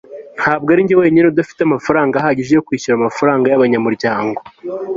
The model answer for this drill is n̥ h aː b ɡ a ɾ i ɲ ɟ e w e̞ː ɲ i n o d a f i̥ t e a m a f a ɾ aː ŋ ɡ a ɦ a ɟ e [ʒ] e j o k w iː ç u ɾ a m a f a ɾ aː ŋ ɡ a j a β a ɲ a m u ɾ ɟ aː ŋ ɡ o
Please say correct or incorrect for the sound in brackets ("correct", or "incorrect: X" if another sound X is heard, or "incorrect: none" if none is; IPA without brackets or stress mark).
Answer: correct